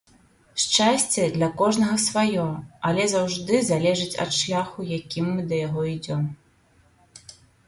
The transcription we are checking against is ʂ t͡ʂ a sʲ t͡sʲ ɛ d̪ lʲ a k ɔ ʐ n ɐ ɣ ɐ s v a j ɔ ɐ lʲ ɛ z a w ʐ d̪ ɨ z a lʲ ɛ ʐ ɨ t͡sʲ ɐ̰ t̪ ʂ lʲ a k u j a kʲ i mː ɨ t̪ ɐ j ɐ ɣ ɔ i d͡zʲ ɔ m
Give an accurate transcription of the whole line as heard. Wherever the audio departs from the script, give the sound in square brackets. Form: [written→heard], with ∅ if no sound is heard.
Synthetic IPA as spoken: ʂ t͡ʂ a sʲ t͡sʲ ɛ d̪ lʲ [a→ɐ] k ɔ ʐ n ɐ ɣ ɐ s v a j ɔ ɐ lʲ ɛ z a w ʐ d̪ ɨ z a lʲ ɛ ʐ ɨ t͡sʲ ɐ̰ t̪ ʂ lʲ a [k→x] u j a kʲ i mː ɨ [t̪→d̪] ɐ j [ɐ→a] ɣ ɔ i d͡zʲ ɔ m